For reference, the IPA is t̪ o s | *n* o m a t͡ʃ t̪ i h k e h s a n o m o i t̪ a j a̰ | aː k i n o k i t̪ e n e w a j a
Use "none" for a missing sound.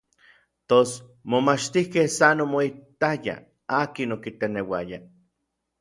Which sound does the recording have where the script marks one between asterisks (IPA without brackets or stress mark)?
m